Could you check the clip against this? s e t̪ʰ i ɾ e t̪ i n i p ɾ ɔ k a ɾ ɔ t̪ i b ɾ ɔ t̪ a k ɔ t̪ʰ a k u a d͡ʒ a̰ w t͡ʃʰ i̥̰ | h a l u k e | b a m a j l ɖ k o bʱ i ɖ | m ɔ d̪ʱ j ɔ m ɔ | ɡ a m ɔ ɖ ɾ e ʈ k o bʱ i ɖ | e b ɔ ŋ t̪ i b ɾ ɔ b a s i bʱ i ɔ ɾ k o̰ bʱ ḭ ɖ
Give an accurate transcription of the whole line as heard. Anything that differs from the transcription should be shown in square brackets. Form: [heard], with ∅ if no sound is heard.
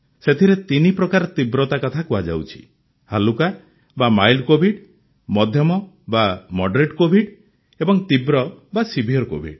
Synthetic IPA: s e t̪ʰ i ɾ e t̪ i n i p ɾ ɔ k a ɾ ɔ t̪ i b ɾ ɔ t̪ a k ɔ t̪ʰ a k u a d͡ʒ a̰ w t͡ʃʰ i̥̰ | h a l u k [a] | b a m a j l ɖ k o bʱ i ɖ | m ɔ d̪ʱ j ɔ m ɔ | [b] a m ɔ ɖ ɾ e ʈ k o bʱ i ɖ | e b ɔ ŋ t̪ i b ɾ ɔ b a s i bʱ i ɔ ɾ k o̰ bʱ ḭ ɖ